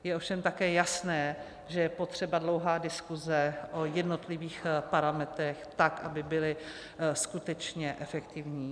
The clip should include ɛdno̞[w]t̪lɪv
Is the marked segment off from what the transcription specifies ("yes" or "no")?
yes